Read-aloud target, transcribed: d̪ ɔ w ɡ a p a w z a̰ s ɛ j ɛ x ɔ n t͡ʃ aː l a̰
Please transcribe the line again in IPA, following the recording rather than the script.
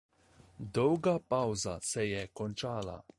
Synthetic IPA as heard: d̪ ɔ w ɡ a p a w z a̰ s ɛ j ɛ k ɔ n t͡ʃ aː l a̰